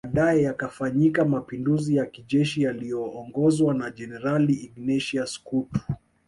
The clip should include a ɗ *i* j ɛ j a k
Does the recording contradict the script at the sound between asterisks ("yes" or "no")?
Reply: yes